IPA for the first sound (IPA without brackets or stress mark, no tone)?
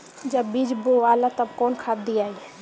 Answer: d͡ʒ